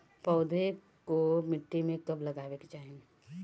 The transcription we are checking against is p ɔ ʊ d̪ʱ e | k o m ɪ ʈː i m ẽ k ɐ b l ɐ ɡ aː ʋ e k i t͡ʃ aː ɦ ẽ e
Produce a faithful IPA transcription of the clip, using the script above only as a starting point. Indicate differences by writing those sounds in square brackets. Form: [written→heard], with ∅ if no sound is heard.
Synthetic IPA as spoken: p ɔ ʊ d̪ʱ e | k o m ɪ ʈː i m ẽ k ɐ b l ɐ ɡ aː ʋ e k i t͡ʃ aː ɦ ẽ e